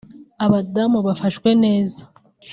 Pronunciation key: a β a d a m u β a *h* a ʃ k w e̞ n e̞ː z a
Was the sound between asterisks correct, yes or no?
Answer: no